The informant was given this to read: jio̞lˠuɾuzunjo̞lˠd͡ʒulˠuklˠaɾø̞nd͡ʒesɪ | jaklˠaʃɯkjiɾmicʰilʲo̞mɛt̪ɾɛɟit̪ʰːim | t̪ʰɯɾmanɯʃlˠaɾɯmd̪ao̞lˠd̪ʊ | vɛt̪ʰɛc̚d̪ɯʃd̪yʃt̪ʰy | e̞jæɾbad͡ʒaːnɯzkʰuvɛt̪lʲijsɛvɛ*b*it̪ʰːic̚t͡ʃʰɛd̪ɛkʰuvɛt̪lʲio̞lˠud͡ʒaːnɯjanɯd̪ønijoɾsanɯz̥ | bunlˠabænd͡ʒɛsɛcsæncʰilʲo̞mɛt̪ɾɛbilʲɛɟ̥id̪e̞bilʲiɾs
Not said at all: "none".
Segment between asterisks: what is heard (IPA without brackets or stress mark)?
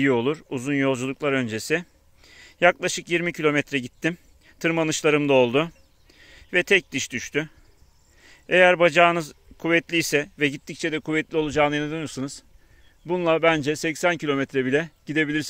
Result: ɟ